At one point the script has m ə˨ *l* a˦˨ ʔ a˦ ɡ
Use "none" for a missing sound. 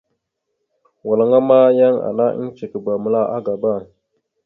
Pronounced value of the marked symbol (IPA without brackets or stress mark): l